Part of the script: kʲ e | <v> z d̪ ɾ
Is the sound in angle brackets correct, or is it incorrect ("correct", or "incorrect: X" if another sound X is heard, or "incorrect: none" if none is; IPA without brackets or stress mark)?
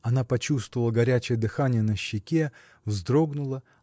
correct